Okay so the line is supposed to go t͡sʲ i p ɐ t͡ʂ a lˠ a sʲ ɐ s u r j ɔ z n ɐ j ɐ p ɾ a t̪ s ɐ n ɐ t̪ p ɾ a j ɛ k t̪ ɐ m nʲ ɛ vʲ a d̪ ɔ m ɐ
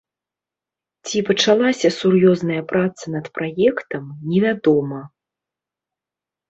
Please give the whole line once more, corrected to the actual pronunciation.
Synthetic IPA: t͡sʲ i p ɐ t͡ʂ a lˠ a sʲ ɐ s u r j ɔ z n ɐ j ɐ p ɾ a t̪ s ɐ n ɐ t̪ p ɾ a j ɛ k t̪ ɐ m nʲ ɛ vʲ a d̪ ɔ m ɐ